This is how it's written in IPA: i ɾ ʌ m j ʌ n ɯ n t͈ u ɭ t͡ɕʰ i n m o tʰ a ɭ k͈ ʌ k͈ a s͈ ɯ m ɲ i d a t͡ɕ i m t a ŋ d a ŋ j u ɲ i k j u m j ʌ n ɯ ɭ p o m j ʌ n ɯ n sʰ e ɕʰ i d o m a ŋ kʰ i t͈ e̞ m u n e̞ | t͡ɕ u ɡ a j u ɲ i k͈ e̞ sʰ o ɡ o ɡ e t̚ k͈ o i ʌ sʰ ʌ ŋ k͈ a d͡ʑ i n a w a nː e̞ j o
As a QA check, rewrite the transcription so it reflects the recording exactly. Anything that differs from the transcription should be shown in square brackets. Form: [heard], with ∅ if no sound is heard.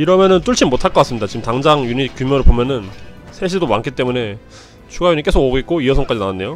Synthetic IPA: i ɾ ʌ m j ʌ n ɯ n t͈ u ɭ t͡ɕʰ i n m o tʰ a ɭ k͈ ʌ k͈ a s͈ ɯ m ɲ i d a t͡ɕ i m t a ŋ [d͡ʑ] a ŋ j u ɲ i k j u m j ʌ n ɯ ɭ p o m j ʌ n ɯ n sʰ e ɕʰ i d o m a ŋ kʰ i t͈ e̞ m u n e̞ | [t͡ɕʰ] u ɡ a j u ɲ i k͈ e̞ sʰ o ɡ o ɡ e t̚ k͈ o i ʌ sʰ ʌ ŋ k͈ a d͡ʑ i n a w a nː e̞ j o